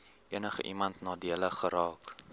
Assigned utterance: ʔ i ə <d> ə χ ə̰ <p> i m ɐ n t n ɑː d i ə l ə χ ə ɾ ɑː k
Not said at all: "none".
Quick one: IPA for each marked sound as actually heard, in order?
n, ʔ

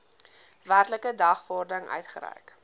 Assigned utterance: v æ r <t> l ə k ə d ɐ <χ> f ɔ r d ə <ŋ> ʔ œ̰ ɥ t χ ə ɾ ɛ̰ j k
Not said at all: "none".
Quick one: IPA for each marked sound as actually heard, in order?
t, χ, ŋ

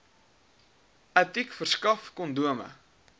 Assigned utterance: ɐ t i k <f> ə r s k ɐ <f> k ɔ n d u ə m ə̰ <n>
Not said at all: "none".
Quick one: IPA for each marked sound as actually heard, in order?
f, f, none

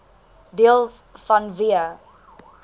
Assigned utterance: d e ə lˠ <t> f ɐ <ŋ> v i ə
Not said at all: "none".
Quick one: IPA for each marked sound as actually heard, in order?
s, n

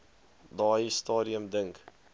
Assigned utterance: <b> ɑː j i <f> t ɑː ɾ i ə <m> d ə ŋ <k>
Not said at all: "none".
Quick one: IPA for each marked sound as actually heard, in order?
d, s, m, k

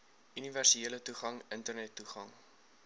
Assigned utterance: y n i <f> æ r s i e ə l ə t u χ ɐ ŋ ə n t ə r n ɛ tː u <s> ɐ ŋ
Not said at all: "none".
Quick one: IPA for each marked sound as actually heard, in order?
v, χ

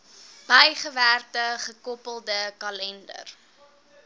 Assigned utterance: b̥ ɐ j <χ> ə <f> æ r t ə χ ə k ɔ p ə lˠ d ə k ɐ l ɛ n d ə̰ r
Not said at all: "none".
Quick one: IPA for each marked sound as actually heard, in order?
χ, v

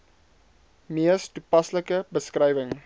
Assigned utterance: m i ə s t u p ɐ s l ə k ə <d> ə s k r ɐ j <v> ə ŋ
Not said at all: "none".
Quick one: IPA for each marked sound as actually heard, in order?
b, v

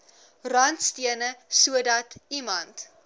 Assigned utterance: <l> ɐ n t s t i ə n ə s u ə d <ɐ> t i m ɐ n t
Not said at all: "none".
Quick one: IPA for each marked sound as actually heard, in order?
r, ɐ

